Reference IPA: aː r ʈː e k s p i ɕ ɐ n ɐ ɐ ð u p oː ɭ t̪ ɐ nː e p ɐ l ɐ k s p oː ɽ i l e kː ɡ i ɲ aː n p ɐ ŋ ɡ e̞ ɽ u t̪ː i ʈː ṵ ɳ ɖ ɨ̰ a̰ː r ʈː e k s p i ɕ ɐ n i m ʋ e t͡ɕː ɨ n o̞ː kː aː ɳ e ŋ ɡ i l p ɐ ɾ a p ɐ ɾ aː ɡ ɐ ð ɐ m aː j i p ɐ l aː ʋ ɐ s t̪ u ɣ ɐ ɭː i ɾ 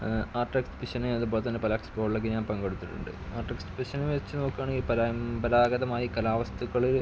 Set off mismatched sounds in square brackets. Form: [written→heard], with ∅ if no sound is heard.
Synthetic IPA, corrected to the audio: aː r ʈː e k s p i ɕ ɐ n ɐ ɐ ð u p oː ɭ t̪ ɐ nː e p ɐ l ɐ k s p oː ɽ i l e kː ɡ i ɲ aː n p ɐ ŋ ɡ e̞ ɽ u t̪ː i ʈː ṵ ɳ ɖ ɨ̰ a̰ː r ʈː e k s p i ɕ ɐ n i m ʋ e t͡ɕː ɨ n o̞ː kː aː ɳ e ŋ ɡ i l p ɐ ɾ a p ɐ ɾ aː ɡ ɐ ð ɐ m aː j i [p→k] ɐ l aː ʋ ɐ s t̪ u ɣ ɐ [ɭː→ɭ] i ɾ

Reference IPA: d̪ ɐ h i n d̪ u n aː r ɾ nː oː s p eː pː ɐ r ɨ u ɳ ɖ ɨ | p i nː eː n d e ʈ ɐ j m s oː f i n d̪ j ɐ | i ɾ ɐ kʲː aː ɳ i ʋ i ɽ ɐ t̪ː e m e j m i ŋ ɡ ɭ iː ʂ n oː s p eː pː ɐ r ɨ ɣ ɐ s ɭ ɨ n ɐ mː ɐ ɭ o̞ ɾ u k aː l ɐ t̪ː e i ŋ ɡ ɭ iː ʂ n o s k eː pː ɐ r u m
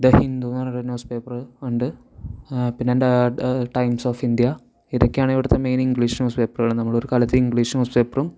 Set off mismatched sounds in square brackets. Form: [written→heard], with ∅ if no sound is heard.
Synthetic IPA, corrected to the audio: d̪ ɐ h i n d̪ u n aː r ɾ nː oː s p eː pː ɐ r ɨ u ɳ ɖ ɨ | p i nː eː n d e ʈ ɐ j m s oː f i n d̪ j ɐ | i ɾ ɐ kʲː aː ɳ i ʋ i ɽ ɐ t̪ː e m e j [m→n] i ŋ ɡ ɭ iː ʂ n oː s p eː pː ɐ r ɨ ɣ ɐ [s→∅] ɭ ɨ n ɐ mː ɐ ɭ o̞ ɾ u k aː l ɐ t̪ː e i ŋ ɡ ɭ iː ʂ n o s [k→p] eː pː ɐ r u m

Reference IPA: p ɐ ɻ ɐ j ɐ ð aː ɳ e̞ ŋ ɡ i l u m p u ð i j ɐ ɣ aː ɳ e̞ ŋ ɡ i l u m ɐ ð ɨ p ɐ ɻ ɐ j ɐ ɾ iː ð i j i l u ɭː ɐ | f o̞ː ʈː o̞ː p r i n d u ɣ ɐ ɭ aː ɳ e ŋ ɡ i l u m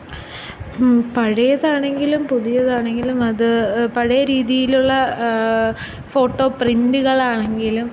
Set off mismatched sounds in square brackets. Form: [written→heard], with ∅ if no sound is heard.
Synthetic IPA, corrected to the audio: p ɐ ɻ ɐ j ɐ ð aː ɳ e̞ ŋ ɡ i l u m p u ð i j ɐ [ɣ→ð] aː ɳ e̞ ŋ ɡ i l u m ɐ ð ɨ p ɐ ɻ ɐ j ɐ ɾ iː ð i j i l u ɭː ɐ | f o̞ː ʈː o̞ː p r i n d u ɣ ɐ ɭ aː ɳ e ŋ ɡ i l u m

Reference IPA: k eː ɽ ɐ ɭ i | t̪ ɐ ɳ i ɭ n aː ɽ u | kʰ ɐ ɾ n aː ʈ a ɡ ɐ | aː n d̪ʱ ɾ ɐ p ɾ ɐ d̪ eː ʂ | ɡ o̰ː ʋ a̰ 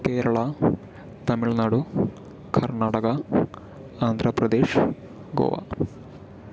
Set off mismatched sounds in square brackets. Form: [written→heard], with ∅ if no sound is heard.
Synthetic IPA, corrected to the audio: k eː [ɽ→ɾ] ɐ ɭ [i→a] | t̪ ɐ [ɳ→m] i ɭ n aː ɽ u | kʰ ɐ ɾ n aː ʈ [a→ɐ] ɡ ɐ | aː n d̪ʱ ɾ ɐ p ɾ ɐ d̪ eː ʂ | ɡ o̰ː ʋ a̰

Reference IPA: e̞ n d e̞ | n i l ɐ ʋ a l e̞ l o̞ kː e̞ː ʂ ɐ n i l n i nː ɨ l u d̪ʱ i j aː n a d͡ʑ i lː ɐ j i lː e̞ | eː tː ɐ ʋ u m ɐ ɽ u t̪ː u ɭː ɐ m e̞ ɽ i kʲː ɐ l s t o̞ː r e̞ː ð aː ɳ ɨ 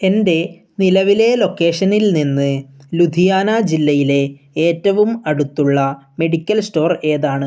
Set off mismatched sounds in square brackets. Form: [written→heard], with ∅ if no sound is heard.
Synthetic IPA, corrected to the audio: e̞ n d e̞ | n i l ɐ ʋ [a→i] l e̞ l o̞ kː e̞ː ʂ ɐ n i l n i nː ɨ l u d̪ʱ i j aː n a d͡ʑ i lː ɐ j i [lː→l] e̞ | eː tː ɐ ʋ u m ɐ ɽ u t̪ː u ɭː ɐ m e̞ ɽ i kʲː ɐ l s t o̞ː r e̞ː ð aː ɳ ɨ

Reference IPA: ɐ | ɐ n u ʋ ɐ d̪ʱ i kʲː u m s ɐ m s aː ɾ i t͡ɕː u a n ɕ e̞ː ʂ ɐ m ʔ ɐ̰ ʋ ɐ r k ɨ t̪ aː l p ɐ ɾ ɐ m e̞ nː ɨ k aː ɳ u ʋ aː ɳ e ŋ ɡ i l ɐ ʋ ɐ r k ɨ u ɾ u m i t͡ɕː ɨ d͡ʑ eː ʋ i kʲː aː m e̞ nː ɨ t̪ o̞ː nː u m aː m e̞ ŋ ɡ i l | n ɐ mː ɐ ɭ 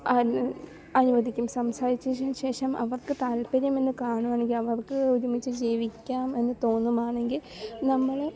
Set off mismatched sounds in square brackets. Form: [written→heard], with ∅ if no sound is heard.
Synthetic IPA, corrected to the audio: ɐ | ɐ n u ʋ ɐ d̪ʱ i kʲː u m s ɐ m s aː ɾ i t͡ɕː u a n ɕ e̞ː ʂ ɐ m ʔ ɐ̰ ʋ ɐ r k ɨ t̪ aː l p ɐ ɾ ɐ m e̞ nː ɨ k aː ɳ u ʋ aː ɳ e ŋ ɡ i l ɐ ʋ ɐ r k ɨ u ɾ u m i t͡ɕː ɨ d͡ʑ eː ʋ i kʲː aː m e̞ nː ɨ t̪ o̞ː nː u m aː [m→ɳ] e̞ ŋ ɡ i l | n ɐ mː ɐ ɭ

